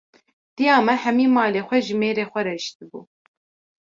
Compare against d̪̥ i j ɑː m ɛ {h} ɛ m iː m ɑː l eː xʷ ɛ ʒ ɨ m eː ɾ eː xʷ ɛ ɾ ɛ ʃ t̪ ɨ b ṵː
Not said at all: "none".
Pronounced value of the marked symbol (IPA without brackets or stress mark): h